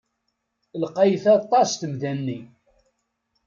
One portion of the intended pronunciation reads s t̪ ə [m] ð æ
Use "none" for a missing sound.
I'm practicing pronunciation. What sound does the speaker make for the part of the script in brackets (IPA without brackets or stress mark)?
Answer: m